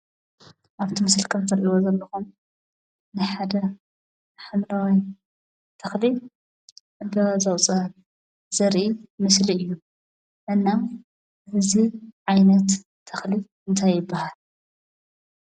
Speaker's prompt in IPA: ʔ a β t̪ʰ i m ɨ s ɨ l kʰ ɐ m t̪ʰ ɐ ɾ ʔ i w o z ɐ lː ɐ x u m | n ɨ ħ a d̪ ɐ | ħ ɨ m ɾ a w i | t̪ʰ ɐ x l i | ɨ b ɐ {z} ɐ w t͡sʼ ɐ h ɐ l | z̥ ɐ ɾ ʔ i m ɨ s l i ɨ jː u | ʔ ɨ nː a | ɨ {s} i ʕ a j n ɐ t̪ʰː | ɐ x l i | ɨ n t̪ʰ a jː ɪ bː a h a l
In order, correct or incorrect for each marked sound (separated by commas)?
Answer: correct, incorrect